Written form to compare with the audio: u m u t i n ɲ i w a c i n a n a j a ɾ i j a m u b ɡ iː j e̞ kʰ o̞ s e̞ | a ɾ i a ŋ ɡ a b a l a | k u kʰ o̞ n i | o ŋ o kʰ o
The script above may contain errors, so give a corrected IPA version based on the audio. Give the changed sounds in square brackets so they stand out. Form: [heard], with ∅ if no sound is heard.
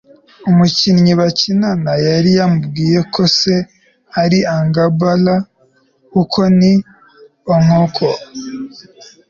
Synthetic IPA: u m u [c] i n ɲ i [β] a c i n a n a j a ɾ i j a m u b ɡ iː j e̞ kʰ o̞ s e̞ | a ɾ i a ŋ ɡ a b a l a | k u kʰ o̞ n i | o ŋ o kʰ o